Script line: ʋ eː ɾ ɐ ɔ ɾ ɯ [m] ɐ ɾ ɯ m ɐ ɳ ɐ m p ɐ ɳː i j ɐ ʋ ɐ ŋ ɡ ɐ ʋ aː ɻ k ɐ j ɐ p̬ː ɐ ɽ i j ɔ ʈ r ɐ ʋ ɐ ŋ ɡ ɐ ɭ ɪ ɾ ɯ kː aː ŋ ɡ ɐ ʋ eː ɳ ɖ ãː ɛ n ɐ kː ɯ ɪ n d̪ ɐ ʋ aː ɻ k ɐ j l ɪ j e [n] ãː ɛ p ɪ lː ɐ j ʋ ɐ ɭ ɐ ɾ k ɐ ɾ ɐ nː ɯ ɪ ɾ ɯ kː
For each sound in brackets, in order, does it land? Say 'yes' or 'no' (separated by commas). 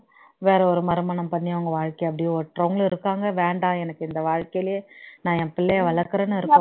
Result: yes, yes